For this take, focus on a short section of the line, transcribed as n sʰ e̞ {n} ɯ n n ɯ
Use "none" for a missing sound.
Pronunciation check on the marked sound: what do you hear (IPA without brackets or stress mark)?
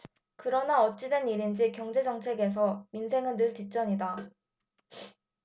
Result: ŋ